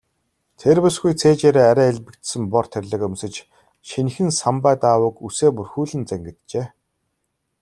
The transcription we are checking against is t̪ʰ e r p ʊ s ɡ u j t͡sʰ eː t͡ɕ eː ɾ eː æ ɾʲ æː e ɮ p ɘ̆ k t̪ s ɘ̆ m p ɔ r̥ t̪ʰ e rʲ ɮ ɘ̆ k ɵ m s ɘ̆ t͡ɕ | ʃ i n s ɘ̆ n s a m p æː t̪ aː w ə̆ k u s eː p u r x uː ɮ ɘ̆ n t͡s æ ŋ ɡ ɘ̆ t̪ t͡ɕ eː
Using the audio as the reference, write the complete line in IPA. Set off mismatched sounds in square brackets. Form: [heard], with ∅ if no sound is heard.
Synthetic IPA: t̪ʰ e r p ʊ s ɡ u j t͡sʰ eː t͡ɕ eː ɾ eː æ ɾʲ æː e ɮ p ɘ̆ k t̪ s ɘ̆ m p ɔ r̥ t̪ʰ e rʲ ɮ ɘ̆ k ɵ m s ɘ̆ t͡ɕ | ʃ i n [x] ɘ̆ n s a m p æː t̪ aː w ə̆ k u s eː p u r x uː ɮ ɘ̆ n t͡s æ ŋ ɡ ɘ̆ t̪ t͡ɕ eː